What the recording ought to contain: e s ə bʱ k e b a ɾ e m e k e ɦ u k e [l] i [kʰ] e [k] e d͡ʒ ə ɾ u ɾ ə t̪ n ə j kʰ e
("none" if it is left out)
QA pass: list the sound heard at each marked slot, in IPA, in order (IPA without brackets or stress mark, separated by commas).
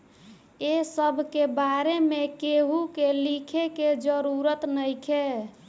l, kʰ, k